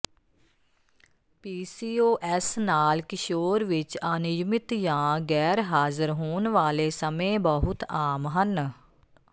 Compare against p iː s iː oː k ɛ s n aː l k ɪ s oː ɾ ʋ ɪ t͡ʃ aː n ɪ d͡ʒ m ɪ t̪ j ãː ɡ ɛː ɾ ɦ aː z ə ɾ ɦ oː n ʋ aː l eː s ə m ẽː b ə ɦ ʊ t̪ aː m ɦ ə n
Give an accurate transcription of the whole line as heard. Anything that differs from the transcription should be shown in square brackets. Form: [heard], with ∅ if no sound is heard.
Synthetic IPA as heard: p iː s iː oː [ʔ] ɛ s n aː l k ɪ [ʃ] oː ɾ ʋ ɪ t͡ʃ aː n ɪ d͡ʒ m ɪ t̪ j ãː ɡ ɛː ɾ ɦ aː z ə ɾ ɦ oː n ʋ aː l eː s ə m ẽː b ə ɦ ʊ t̪ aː m ɦ ə n

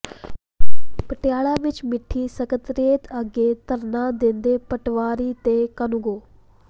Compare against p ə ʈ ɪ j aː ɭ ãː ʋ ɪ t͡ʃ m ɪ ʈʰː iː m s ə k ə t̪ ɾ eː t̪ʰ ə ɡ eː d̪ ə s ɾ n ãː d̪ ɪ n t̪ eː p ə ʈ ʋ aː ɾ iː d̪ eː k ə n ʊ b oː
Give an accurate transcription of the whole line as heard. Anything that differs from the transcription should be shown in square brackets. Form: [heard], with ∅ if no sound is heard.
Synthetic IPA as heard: p ə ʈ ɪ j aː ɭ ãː ʋ ɪ t͡ʃ m ɪ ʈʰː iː [∅] s ə k ə t̪ ɾ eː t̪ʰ ə ɡ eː [t̪] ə [∅] ɾ n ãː d̪ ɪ n [d̪] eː p ə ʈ ʋ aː ɾ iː [t̪] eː k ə n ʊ [ɡ] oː

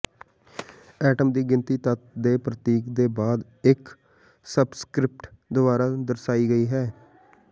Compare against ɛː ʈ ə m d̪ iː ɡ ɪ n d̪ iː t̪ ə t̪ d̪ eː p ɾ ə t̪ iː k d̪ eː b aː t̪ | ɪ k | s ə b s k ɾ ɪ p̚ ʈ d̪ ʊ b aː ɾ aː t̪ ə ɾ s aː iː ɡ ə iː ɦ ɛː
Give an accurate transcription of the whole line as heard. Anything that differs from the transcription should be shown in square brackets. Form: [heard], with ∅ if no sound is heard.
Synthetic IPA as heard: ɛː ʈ ə m d̪ iː ɡ ɪ n [t̪] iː t̪ ə t̪ d̪ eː p ɾ ə t̪ iː k d̪ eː b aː [d̪] | ɪ k | s ə b s k ɾ ɪ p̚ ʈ d̪ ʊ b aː ɾ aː [d̪] ə ɾ s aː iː ɡ ə iː ɦ ɛː

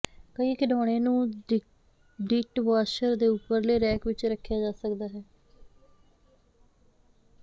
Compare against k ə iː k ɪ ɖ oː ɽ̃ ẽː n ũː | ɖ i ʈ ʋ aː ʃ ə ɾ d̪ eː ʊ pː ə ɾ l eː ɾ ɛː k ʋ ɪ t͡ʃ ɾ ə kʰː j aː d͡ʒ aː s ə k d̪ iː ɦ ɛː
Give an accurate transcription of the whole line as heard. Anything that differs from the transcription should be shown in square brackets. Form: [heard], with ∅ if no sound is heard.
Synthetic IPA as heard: k ə iː k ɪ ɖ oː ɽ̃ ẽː n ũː | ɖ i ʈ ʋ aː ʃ ə ɾ d̪ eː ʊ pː ə ɾ l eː ɾ ɛː k ʋ ɪ t͡ʃ ɾ ə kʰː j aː d͡ʒ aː s ə k d̪ [aː] ɦ ɛː

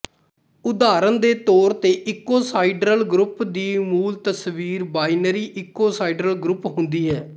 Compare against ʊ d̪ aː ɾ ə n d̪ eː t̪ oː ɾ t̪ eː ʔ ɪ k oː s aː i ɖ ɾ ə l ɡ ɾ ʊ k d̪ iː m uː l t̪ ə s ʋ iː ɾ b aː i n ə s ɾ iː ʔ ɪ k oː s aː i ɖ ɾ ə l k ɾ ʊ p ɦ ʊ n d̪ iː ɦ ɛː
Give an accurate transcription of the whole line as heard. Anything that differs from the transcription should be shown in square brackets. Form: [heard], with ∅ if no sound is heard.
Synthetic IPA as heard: ʊ d̪ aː ɾ ə n d̪ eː t̪ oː ɾ t̪ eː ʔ ɪ k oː s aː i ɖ ɾ ə l ɡ ɾ ʊ [p] d̪ iː m uː l t̪ ə s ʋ iː ɾ b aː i n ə [∅] ɾ iː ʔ ɪ k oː s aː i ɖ ɾ ə l [ɡ] ɾ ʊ p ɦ ʊ n d̪ iː ɦ ɛː

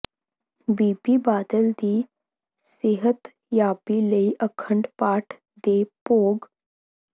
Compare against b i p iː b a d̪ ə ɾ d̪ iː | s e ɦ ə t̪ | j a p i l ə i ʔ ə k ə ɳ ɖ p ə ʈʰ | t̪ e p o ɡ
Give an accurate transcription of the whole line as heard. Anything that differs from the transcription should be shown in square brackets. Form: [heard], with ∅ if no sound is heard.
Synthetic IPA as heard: b i p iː b a d̪ ə [l] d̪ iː | s e ɦ ə t̪ | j a p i l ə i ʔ ə [kʰ] ə ɳ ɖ p [a] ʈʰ | [d̪] e p o ɡ

